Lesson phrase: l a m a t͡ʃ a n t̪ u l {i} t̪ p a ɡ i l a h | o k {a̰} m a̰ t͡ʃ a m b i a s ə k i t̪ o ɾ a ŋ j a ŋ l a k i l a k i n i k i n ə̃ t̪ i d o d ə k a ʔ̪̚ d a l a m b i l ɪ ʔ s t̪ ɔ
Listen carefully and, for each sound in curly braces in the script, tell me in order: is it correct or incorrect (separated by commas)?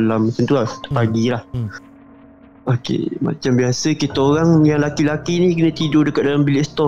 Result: incorrect, incorrect